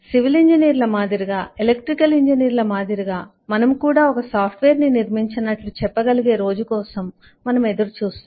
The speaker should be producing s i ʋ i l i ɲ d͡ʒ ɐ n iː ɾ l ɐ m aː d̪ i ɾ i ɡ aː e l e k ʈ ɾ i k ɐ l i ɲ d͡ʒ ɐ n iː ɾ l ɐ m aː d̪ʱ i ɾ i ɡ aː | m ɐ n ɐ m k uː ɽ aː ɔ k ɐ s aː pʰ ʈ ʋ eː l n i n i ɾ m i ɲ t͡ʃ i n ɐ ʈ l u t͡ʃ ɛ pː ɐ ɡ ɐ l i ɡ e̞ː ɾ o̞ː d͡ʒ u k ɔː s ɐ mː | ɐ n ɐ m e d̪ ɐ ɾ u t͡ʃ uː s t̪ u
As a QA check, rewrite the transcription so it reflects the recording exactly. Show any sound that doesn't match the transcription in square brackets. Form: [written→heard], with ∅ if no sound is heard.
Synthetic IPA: s i ʋ i l i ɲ d͡ʒ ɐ n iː ɾ l ɐ m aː d̪ i ɾ i ɡ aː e l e k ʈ ɾ i k ɐ l i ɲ d͡ʒ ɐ n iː ɾ l ɐ m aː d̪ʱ i ɾ i ɡ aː | m ɐ n ɐ m k uː ɽ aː ɔ k ɐ s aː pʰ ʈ ʋ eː [l→ɾ] n i n i ɾ m i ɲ t͡ʃ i n ɐ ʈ l u t͡ʃ ɛ pː ɐ ɡ ɐ l i ɡ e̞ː ɾ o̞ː d͡ʒ u k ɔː s ɐ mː | ɐ n ɐ m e d̪ ɐ ɾ u t͡ʃ uː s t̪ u